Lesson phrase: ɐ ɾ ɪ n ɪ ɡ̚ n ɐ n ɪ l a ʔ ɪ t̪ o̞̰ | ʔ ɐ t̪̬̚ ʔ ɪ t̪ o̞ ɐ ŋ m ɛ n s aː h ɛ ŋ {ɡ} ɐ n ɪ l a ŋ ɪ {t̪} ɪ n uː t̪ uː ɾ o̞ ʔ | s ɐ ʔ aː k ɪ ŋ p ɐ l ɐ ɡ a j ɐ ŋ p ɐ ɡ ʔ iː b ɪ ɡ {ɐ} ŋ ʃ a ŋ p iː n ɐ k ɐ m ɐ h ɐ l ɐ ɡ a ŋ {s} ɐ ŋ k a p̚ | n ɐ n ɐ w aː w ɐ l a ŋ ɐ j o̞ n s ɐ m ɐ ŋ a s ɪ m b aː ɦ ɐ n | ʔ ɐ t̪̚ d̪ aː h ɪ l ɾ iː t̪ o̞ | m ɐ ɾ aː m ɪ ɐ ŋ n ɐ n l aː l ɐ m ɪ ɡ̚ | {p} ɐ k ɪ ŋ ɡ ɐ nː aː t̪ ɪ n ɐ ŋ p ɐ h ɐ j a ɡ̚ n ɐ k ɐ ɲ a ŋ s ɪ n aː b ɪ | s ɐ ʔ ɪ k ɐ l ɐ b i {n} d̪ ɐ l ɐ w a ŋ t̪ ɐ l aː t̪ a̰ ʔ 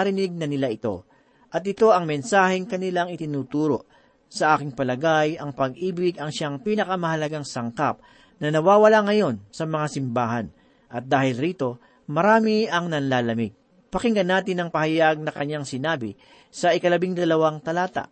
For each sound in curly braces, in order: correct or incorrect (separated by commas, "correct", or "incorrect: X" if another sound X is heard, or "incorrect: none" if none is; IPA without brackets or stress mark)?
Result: incorrect: k, correct, correct, correct, correct, incorrect: ŋ